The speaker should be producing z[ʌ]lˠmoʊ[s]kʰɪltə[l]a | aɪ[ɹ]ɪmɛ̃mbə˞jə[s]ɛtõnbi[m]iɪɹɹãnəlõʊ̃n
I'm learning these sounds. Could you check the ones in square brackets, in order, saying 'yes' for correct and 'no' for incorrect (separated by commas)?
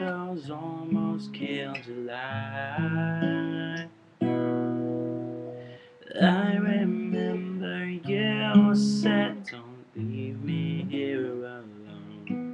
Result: no, yes, yes, yes, yes, yes